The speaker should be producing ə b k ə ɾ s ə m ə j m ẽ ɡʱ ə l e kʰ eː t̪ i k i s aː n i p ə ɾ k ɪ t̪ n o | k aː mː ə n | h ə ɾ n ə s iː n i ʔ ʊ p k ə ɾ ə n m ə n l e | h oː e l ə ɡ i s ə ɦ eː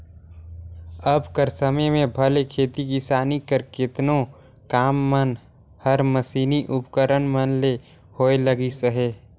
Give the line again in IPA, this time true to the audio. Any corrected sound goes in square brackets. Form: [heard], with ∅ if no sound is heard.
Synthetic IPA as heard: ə b k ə ɾ s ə m ə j m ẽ [bʱ] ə l e kʰ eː t̪ i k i s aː n i [k] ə ɾ k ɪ t̪ n o | k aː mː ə n | h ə ɾ [m] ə s iː n i ʔ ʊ p k ə ɾ ə n m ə n l e | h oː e l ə ɡ i s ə ɦ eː